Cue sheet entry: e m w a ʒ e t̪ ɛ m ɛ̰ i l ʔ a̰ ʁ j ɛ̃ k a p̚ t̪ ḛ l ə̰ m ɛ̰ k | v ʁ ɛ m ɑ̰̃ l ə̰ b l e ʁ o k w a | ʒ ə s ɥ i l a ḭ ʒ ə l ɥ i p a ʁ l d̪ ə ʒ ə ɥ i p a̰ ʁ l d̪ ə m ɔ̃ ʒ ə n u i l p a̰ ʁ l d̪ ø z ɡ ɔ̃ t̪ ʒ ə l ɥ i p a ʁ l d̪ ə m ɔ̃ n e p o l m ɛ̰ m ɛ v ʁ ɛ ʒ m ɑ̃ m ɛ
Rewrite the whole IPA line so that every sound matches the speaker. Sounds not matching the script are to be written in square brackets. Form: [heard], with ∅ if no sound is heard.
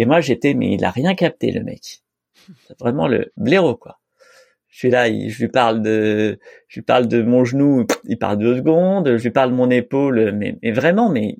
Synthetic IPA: e m w a ʒ e t̪ ɛ m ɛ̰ i l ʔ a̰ ʁ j ɛ̃ k a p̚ t̪ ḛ l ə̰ m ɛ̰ k | v ʁ ɛ m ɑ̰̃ l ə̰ b l e ʁ o k w a | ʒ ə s ɥ i l a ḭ ʒ ə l ɥ i p a ʁ l d̪ ə ʒ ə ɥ i p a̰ ʁ l d̪ ə m ɔ̃ ʒ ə n u i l p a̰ ʁ l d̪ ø z ɡ ɔ̃ [d̪] ʒ ə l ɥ i p a ʁ l d̪ ə m ɔ̃ n e p o l m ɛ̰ m ɛ v ʁ ɛ [∅] m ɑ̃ m ɛ